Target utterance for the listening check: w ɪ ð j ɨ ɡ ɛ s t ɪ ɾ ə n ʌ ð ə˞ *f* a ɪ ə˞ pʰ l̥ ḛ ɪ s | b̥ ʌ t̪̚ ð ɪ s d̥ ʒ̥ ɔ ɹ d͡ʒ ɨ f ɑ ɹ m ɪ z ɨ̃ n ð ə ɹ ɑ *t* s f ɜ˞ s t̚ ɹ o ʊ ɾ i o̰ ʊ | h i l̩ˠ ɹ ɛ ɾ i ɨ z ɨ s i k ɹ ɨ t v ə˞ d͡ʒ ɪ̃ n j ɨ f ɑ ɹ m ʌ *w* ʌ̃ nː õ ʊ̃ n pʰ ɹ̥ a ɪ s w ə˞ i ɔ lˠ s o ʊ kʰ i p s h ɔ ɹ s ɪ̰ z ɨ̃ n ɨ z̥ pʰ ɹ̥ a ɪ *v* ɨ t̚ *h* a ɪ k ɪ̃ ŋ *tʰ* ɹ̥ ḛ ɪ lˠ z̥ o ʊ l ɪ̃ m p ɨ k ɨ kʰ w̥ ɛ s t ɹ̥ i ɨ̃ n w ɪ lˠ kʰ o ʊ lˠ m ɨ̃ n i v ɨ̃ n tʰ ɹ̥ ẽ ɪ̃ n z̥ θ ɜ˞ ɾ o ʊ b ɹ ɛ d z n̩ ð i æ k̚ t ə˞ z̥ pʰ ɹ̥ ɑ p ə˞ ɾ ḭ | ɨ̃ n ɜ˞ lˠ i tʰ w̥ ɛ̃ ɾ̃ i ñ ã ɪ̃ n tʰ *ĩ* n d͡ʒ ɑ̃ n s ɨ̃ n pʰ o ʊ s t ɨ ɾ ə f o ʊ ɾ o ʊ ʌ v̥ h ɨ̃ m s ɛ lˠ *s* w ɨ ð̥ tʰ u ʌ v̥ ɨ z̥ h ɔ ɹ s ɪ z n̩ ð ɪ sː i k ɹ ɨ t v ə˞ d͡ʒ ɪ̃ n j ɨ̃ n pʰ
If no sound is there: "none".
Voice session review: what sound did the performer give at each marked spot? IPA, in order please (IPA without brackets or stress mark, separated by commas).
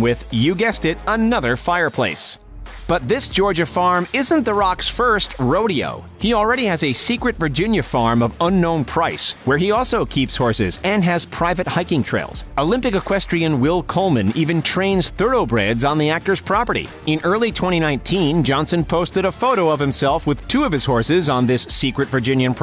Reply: f, k, v, v, h, tʰ, ĩ, f